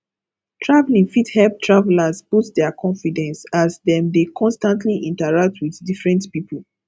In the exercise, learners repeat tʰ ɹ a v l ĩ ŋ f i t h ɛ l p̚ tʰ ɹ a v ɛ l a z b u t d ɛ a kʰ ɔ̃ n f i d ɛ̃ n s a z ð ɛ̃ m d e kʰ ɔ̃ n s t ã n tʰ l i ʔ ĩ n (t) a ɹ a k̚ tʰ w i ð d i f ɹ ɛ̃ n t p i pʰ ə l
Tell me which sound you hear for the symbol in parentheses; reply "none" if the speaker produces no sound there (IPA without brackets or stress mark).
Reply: t